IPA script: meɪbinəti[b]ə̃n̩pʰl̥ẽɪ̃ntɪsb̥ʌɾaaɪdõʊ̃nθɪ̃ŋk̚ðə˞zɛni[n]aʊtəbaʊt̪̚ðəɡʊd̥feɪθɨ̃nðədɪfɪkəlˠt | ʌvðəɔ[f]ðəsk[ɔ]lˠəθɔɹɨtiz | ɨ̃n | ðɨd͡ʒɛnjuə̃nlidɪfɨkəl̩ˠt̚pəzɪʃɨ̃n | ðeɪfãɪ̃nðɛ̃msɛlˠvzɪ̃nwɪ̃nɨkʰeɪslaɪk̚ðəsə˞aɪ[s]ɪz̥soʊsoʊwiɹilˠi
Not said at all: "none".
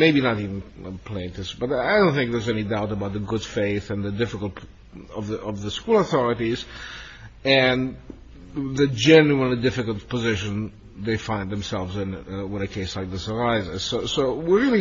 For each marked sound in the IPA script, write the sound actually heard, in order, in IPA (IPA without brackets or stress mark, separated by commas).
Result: v, d, v, u, z